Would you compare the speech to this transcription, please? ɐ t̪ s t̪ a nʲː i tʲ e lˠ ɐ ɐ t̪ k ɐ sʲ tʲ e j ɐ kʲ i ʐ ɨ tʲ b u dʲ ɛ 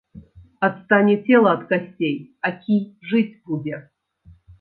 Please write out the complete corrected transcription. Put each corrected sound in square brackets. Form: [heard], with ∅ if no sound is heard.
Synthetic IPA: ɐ t̪ s t̪ a [nʲ] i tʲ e lˠ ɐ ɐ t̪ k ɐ sʲ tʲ e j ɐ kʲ i ʐ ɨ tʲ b u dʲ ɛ